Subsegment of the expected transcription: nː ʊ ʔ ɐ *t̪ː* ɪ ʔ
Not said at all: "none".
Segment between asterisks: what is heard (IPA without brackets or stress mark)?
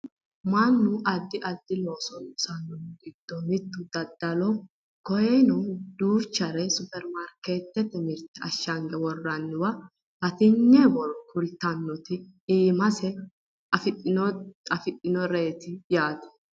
d̪ː